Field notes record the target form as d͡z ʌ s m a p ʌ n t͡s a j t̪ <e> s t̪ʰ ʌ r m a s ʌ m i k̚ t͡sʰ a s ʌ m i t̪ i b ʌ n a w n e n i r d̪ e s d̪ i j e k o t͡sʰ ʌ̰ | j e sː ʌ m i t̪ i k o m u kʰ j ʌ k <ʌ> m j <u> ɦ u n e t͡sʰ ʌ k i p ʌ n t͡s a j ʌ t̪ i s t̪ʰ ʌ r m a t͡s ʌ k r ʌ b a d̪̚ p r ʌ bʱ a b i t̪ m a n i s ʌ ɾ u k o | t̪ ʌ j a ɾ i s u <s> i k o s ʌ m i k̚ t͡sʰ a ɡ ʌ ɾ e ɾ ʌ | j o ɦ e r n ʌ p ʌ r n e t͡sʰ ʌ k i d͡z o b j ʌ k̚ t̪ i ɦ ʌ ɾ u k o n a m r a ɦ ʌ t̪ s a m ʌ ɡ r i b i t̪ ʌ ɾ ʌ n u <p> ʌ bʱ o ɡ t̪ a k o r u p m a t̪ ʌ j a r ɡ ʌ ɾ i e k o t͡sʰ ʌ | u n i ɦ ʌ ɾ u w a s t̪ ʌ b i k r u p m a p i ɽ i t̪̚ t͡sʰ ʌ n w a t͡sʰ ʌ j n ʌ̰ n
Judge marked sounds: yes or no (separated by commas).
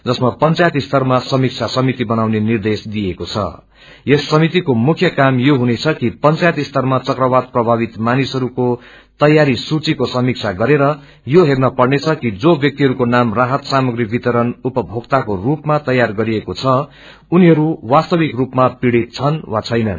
no, no, no, no, yes